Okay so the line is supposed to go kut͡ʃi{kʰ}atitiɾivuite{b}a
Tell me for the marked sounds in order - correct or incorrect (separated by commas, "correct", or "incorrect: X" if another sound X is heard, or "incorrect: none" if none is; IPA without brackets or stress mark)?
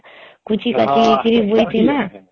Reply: incorrect: k, incorrect: m